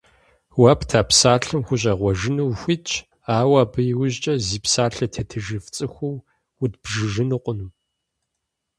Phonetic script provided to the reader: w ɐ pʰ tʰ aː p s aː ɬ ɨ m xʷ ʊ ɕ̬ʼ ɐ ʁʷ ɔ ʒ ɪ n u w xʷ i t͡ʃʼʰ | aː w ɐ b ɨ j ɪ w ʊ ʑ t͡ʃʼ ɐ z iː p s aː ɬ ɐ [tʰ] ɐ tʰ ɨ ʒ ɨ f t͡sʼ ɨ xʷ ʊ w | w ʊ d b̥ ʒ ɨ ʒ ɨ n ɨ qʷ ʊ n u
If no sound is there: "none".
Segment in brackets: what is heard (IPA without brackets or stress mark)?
tʰ